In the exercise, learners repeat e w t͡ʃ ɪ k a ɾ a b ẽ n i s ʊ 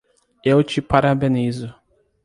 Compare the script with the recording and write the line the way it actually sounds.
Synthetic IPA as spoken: e w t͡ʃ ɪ p a ɾ a b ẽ n i z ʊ

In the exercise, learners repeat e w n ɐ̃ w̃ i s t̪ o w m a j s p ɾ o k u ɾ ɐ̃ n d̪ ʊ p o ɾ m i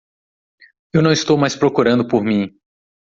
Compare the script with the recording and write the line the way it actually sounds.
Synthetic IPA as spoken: e w n ɐ̃ w̃ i s t̪ o w m a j s p ɾ o k u ɾ ɐ̃ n d̪ ʊ p o ɾ m ĩ

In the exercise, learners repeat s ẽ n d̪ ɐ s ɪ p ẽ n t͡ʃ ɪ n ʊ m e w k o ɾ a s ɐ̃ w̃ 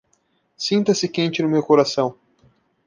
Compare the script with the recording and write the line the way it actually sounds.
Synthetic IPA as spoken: s ĩ n t̪ ɐ s ɪ k ẽ n t͡ʃ ɪ n ʊ m e w k o ɾ a s ɐ̃ w̃

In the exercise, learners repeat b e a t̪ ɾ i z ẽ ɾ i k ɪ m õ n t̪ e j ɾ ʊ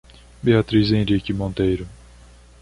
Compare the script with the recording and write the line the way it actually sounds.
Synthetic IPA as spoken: b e a t̪ ɾ i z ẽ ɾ i k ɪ m õ n t̪ e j ɾ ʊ

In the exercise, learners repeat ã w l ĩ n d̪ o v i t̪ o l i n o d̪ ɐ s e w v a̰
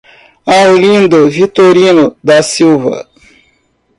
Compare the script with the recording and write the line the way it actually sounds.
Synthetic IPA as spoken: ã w l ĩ n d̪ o v i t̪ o ɾ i n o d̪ a s i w v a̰

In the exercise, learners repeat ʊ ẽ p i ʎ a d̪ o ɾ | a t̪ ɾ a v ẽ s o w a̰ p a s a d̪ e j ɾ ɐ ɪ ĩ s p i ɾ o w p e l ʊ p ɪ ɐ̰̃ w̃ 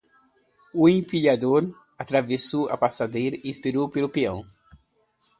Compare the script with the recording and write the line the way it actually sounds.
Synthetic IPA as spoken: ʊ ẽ p i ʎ a d̪ o ɾ | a t̪ ɾ a v e s o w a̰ p a s a d̪ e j ɾ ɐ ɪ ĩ s p i ɾ o w p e l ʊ p i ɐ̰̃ w̃

